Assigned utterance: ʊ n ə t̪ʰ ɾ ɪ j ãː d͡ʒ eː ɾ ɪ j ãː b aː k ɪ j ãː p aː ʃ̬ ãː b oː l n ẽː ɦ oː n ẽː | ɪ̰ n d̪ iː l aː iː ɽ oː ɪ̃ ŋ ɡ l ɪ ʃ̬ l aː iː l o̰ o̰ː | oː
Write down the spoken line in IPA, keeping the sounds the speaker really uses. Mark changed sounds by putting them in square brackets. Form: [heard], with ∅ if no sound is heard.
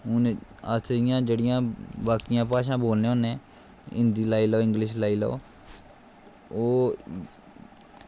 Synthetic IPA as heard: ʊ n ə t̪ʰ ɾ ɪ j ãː d͡ʒ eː [ɽ] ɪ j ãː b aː k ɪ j ãː p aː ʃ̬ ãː b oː l n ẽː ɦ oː n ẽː | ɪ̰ n d̪ iː l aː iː [l] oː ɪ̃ ŋ ɡ l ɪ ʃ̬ l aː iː l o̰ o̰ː | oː

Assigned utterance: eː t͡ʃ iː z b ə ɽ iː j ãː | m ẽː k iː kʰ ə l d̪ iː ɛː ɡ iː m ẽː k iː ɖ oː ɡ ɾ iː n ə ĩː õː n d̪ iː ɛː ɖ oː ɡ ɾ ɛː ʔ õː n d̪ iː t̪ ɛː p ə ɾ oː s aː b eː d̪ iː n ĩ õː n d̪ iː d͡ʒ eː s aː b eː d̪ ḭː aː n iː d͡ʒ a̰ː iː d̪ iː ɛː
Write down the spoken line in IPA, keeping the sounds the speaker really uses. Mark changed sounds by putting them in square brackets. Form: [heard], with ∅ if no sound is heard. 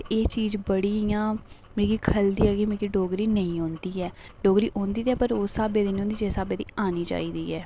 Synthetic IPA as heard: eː t͡ʃ iː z b ə ɽ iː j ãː | m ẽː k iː kʰ ə l d̪ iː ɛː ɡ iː m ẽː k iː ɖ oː ɡ ɾ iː n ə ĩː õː n d̪ iː ɛː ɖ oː ɡ ɾ [iː] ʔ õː n d̪ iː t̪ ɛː p ə ɾ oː s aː b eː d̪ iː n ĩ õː n d̪ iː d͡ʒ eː s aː b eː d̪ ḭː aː n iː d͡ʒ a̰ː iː d̪ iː ɛː

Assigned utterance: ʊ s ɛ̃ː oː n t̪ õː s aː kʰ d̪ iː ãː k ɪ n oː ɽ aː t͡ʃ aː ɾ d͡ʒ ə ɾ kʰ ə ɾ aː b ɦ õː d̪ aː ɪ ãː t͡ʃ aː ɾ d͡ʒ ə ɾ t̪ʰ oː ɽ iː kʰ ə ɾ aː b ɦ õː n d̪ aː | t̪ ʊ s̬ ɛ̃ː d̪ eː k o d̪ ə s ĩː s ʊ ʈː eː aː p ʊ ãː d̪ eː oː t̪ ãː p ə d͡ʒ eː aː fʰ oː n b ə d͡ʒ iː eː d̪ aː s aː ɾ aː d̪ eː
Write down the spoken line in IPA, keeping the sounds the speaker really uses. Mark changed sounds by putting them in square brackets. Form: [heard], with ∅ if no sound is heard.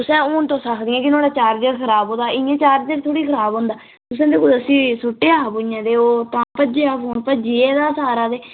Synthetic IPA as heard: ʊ s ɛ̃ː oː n t̪ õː s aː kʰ d̪ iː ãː k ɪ n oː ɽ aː t͡ʃ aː ɾ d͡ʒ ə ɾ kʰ ə ɾ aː b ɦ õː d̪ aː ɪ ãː t͡ʃ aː ɾ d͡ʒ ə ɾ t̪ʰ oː ɽ iː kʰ ə ɾ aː b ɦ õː n d̪ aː | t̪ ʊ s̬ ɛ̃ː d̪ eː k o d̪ ə s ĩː s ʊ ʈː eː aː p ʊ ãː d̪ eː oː t̪ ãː p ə d͡ʒ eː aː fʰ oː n [p] ə d͡ʒ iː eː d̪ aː s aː ɾ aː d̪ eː

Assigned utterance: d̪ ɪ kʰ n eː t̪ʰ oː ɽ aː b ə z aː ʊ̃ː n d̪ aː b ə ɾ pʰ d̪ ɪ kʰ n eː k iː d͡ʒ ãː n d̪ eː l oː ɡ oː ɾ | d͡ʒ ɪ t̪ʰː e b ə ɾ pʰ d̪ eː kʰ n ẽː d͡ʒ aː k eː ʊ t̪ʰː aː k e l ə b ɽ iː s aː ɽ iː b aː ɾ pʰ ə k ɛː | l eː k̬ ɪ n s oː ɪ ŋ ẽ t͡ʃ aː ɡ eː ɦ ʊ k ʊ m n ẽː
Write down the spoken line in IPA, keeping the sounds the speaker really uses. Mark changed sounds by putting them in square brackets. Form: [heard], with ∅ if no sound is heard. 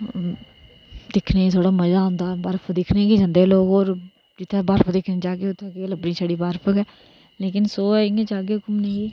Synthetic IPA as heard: d̪ ɪ kʰ n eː t̪ʰ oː ɽ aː [m] ə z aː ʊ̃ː n d̪ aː b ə ɾ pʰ d̪ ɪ kʰ n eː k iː d͡ʒ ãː n d̪ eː l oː ɡ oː ɾ | d͡ʒ ɪ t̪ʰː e b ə ɾ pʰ d̪ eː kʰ n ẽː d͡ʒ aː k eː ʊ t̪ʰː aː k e l ə b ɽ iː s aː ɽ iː b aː ɾ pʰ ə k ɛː | l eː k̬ ɪ n s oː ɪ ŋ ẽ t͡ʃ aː ɡ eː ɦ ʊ k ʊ m n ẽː

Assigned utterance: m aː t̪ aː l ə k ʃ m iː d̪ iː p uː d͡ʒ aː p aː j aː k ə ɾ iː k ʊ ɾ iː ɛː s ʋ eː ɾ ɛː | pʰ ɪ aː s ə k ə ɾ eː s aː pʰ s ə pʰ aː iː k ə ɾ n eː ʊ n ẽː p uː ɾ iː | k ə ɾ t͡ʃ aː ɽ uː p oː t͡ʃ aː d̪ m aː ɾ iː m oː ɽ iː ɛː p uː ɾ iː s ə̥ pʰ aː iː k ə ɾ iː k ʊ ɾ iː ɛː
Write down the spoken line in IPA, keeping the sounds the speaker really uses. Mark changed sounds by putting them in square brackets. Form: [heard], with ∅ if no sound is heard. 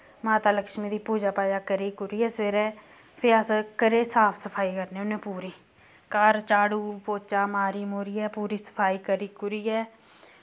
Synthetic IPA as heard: m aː t̪ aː l ə k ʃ m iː d̪ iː p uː d͡ʒ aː p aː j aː k ə ɾ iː k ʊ ɾ iː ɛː s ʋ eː ɾ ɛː | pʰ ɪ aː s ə k ə ɾ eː s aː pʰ s ə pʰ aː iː k ə ɾ n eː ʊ n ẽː p uː ɾ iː | k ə ɾ t͡ʃ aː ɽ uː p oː t͡ʃ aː [∅] m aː ɾ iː m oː [ɾ] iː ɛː p uː ɾ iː s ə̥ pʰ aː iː k ə ɾ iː k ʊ ɾ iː ɛː

